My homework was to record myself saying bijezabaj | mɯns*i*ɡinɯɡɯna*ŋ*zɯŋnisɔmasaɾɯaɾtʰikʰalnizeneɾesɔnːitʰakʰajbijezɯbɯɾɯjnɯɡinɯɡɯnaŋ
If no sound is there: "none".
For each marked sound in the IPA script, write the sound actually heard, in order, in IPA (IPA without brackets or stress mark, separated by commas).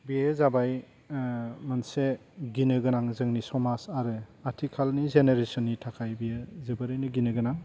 e, ŋ